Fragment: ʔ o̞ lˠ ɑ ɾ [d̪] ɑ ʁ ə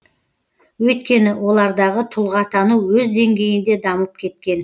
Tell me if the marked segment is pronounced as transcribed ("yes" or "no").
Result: yes